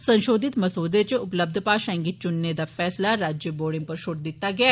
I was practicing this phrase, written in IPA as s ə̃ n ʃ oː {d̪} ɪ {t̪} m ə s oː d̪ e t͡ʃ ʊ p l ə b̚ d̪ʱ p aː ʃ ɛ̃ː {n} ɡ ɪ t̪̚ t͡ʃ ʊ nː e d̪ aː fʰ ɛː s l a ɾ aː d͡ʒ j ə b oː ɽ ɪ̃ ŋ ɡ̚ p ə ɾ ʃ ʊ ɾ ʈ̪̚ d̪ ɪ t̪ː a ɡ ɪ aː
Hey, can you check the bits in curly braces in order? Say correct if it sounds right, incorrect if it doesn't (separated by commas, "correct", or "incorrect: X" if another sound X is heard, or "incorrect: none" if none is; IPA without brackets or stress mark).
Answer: correct, correct, incorrect: ŋ